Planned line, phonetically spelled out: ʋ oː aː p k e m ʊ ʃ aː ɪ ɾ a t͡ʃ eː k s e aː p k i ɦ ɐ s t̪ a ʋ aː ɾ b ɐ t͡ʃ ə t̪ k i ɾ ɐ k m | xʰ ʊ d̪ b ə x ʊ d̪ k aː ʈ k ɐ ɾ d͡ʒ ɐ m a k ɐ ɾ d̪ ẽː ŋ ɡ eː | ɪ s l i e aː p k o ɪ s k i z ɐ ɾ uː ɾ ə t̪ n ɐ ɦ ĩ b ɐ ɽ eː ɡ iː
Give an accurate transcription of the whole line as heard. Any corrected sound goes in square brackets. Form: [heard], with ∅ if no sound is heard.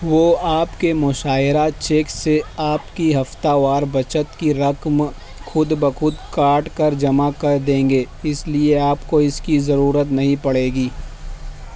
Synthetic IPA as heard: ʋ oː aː p k e m ʊ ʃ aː ɪ ɾ a t͡ʃ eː k s e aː p k i ɦ ɐ [f] t̪ a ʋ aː ɾ b ɐ t͡ʃ ə t̪ k i ɾ ɐ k m | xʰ ʊ d̪ b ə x ʊ d̪ k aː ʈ k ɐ ɾ d͡ʒ ɐ m a k ɐ ɾ d̪ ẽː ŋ ɡ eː | ɪ s l i e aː p k o ɪ s k i z ɐ ɾ uː ɾ ə t̪ n ɐ ɦ ĩ [p] ɐ ɽ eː ɡ iː